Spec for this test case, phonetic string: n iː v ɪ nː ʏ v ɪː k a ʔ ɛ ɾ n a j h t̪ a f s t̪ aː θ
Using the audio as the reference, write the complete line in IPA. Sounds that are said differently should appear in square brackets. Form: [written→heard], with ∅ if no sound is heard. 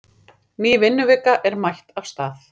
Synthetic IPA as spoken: n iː v ɪ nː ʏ v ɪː k a ʔ ɛ ɾ [n→m] a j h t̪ a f s t̪ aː θ